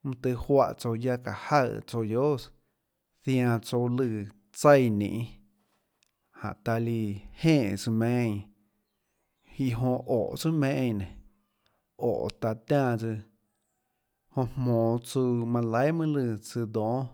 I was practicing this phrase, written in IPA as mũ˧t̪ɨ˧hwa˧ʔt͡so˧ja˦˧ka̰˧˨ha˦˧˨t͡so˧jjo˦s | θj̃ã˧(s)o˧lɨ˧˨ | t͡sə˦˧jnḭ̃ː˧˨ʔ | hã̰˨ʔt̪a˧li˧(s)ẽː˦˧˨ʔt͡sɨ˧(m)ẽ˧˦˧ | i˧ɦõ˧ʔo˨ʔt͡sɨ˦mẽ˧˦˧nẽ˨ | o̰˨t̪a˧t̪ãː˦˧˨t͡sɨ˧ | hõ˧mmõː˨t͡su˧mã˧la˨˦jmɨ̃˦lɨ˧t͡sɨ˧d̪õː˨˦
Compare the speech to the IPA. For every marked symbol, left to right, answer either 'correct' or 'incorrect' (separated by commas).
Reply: incorrect, incorrect, correct